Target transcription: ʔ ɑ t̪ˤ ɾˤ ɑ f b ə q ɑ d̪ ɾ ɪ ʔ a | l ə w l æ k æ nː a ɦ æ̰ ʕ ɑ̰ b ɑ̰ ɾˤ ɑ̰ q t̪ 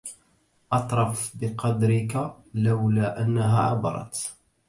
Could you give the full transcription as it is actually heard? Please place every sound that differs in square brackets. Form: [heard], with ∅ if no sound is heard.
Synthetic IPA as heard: ʔ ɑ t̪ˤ ɾˤ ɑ f b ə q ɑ d̪ ɾ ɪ [k] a | l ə w l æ [ʔ] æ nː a ɦ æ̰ ʕ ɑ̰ b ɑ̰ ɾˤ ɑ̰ [∅] t̪